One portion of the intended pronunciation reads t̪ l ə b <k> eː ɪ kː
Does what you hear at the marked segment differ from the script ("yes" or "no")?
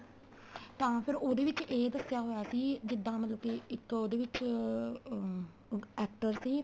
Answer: no